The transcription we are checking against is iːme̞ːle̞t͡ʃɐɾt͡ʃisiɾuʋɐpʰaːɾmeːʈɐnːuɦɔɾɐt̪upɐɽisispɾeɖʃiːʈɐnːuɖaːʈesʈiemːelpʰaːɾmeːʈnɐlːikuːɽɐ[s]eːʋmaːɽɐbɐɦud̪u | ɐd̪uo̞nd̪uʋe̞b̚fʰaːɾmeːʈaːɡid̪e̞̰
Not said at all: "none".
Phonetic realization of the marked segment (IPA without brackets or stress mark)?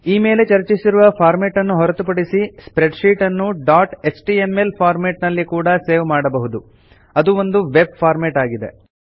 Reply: s